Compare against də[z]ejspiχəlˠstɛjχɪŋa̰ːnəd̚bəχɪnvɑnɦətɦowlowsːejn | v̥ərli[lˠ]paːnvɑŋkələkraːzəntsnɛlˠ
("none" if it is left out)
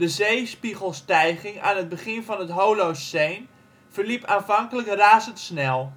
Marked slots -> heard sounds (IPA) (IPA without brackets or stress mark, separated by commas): z, none